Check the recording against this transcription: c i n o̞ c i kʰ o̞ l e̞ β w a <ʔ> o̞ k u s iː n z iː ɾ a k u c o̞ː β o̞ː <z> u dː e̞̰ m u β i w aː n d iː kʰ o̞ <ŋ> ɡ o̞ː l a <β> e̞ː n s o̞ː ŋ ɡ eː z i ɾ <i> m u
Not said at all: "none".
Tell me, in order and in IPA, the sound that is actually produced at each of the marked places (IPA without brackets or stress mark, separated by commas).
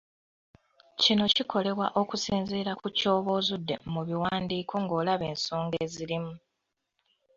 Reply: ʔ, z, ŋ, β, i